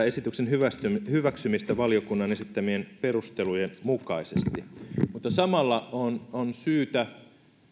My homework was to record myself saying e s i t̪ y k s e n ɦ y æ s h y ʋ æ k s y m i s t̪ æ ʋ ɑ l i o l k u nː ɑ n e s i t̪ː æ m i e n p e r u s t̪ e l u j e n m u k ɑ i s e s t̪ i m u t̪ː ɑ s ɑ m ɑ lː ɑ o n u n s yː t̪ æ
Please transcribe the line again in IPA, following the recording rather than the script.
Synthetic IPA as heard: e s i t̪ y k s e n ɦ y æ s h y ʋ æ k s y m i s t̪ æ ʋ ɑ l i o k u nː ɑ n e s i t̪ː æ m i e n p e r u s t̪ e l u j e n m u k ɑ i s e s t̪ i m u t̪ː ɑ s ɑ m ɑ lː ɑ o n o n s yː t̪ æ